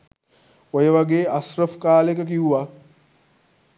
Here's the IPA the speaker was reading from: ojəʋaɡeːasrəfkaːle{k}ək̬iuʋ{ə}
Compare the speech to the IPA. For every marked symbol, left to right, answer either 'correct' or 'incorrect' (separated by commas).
correct, incorrect